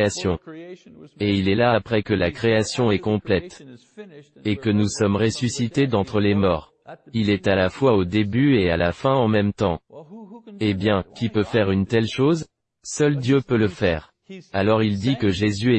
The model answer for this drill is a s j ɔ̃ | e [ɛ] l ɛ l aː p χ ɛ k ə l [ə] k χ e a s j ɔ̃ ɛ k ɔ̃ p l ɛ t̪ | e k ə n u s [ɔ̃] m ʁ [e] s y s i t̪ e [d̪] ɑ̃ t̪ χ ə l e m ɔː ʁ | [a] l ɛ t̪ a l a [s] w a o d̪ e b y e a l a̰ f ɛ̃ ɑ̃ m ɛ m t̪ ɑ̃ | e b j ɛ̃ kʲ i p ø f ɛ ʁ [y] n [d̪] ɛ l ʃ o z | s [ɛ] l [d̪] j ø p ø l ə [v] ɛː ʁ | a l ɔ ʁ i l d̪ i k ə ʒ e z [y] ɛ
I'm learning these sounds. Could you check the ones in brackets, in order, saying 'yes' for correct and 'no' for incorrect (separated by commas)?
no, no, no, yes, yes, no, no, yes, no, no, yes, no, yes